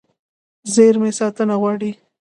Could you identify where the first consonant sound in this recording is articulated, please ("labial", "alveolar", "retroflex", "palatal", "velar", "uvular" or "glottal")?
alveolar